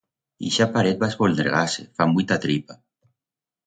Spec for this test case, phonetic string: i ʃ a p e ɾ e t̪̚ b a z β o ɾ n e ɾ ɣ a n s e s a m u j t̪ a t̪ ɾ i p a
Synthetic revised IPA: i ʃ a p a ɾ e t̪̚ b a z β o l n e ɾ ɣ a s e f a m u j t̪ a t̪ ɾ i p a